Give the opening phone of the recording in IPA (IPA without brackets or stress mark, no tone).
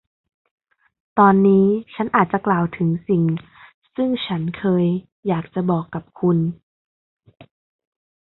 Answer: t̪